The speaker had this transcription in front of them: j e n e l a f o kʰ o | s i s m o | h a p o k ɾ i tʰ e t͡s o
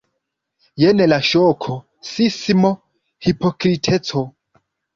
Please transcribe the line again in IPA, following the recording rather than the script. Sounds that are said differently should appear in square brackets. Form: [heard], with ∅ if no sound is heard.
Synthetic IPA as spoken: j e n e l a [ʃ] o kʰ o | s i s m o | h [i] p o k ɾ i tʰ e t͡s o

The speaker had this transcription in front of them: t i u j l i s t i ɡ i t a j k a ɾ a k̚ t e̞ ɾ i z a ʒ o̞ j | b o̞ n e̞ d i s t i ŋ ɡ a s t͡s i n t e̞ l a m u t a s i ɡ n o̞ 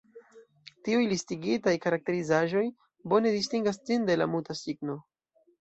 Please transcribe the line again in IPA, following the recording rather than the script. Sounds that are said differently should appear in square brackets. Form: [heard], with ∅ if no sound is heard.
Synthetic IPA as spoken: t i u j l i s t i ɡ i t a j k a ɾ a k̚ t e̞ ɾ i z a ʒ o̞ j | b o̞ n e̞ d i s t i ŋ ɡ a s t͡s i n [d] e̞ l a m u t a s i ɡ n o̞

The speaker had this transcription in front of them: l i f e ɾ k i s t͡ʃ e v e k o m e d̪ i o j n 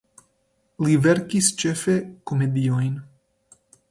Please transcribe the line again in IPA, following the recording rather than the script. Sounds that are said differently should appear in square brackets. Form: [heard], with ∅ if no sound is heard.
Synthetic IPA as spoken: l i [v] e ɾ k i s t͡ʃ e [f] e k o m e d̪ i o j n

